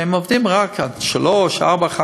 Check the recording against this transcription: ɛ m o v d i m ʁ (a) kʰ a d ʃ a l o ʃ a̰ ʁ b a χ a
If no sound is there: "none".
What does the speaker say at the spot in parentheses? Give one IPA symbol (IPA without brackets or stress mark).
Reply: a